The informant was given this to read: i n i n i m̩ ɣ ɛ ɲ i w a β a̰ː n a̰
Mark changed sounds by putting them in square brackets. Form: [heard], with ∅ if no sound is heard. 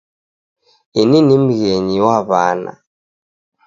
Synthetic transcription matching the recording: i n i n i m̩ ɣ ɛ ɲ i w a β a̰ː n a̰

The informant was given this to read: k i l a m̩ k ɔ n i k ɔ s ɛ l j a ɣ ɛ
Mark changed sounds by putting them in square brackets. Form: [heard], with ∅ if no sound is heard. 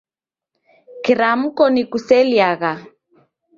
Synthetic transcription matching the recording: k i [ɾ] a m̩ k ɔ n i k [u] s ɛ l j a ɣ [a]

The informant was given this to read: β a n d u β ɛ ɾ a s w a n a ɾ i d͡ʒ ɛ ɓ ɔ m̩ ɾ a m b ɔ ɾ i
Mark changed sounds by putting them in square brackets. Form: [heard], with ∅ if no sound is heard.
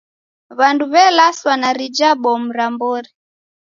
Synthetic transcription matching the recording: β a n d u β ɛ [l] a s w a n a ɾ i d͡ʒ [a] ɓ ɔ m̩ ɾ a m b ɔ ɾ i

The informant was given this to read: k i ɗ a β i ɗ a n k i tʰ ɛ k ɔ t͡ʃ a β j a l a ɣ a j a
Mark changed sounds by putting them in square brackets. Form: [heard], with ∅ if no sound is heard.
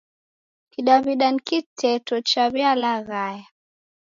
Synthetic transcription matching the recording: k i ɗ a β i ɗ a n k i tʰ ɛ [t] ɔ t͡ʃ a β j a l a ɣ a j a

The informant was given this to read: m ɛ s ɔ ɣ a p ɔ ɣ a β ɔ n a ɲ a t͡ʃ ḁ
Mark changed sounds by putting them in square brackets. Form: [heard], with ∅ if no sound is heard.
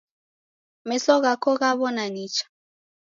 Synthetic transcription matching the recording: m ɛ s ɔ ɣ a [k] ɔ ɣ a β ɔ n a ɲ [i] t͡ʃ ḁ

